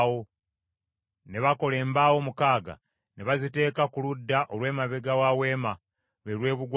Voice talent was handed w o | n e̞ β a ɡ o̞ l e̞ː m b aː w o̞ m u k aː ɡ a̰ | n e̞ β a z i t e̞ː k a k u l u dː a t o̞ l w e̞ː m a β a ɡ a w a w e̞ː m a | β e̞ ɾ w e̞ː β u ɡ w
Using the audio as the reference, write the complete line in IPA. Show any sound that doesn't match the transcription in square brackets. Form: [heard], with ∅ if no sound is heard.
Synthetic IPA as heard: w o | n e̞ β a [k] o̞ l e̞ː m b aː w o̞ m u k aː ɡ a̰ | n e̞ β a z i t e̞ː k a k u l u dː a [ʔ] o̞ l w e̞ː m a β [e] ɡ a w a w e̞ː m a | β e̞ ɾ w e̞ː β u ɡ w